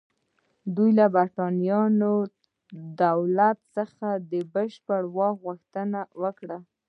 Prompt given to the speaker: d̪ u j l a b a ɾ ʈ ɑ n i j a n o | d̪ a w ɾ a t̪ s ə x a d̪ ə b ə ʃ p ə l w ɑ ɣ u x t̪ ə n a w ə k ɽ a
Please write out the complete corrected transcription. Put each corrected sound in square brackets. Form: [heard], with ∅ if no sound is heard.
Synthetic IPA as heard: d̪ u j l a b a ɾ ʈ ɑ n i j [ɑ] n o | d̪ a w [l] a t̪ s ə x a d̪ ə b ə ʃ p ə [ɽ] w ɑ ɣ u x t̪ ə n a w ə k ɽ a